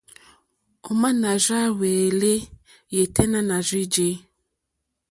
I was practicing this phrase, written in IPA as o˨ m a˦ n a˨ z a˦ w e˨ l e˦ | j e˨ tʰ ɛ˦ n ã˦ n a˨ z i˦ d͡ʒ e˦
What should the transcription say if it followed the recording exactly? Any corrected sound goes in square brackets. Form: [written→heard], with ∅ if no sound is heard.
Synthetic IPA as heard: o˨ m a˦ n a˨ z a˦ w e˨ l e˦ | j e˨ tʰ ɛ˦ n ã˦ n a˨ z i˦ d͡ʒ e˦